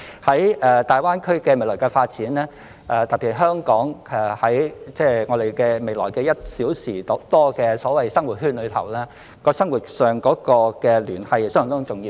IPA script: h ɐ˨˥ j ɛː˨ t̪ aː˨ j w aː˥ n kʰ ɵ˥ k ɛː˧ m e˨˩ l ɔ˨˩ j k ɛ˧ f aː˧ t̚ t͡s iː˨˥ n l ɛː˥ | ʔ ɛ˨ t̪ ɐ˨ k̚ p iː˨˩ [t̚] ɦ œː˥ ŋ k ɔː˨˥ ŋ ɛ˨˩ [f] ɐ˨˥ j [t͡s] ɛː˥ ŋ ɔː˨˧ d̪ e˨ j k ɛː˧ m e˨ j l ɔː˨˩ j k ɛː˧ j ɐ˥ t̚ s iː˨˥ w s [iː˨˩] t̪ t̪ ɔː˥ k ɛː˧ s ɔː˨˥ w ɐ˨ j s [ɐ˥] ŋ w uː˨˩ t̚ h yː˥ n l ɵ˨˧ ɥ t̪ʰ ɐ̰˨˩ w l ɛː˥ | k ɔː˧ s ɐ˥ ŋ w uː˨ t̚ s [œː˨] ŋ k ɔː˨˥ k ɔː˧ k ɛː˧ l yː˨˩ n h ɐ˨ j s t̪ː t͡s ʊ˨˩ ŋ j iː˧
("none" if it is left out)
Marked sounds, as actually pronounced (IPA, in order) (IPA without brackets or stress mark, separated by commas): t̚, h, t͡s, iː˨˩, ɐ˥, œː˨